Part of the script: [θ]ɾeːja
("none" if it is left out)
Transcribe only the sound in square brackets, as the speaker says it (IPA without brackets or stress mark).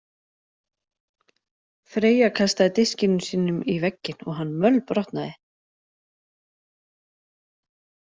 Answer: f